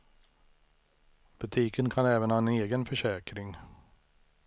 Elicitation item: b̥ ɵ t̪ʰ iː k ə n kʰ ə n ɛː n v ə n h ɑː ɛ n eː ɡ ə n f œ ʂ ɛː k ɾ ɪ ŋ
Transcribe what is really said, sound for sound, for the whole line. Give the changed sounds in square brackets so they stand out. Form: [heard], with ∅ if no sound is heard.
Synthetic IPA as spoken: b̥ ɵ t̪ʰ iː k ə n kʰ [a] n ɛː [∅] v ə n h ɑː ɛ n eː ɡ ə n f œ ʂ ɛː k ɾ ɪ ŋ